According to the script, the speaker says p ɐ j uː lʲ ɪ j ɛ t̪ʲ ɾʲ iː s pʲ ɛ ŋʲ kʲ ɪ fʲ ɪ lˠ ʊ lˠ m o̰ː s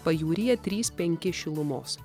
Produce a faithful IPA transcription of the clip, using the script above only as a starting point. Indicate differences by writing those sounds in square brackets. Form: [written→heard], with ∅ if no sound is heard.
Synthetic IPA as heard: p ɐ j uː [lʲ→ɾʲ] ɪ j ɛ t̪ʲ ɾʲ iː s pʲ ɛ ŋʲ kʲ ɪ [fʲ→ʃʲ] ɪ lˠ ʊ [lˠ→∅] m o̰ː s